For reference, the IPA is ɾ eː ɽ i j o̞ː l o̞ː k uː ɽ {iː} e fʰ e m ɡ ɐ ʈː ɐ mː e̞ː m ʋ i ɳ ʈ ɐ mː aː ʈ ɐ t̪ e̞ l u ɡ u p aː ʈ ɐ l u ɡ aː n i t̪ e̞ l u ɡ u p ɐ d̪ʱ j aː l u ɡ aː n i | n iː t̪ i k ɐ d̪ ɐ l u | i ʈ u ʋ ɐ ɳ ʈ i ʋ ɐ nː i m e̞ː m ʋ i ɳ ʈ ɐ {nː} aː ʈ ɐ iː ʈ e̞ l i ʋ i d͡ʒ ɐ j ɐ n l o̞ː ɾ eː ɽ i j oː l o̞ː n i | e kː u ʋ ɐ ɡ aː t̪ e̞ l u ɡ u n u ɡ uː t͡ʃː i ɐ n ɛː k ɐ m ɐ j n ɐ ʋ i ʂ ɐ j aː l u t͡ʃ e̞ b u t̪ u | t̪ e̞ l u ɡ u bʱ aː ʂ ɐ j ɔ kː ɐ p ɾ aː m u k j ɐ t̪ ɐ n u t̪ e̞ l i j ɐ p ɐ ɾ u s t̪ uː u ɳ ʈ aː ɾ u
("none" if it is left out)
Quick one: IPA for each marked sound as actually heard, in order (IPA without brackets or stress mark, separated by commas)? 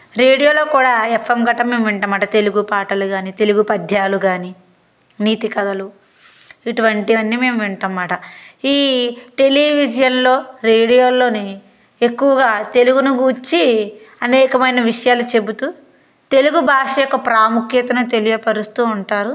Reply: aː, mː